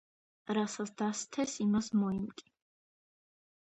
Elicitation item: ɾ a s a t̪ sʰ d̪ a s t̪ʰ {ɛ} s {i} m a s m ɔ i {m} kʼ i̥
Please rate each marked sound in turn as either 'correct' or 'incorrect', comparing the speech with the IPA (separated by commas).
correct, correct, correct